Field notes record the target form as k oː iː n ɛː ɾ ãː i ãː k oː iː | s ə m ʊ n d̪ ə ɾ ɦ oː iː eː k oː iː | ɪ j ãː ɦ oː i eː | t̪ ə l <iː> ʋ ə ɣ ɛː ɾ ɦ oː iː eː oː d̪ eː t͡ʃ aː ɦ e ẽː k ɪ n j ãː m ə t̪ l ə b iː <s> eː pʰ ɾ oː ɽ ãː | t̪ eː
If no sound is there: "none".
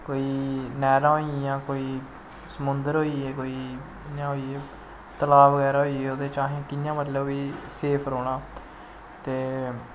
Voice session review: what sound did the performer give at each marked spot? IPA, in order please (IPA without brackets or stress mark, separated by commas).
aː, s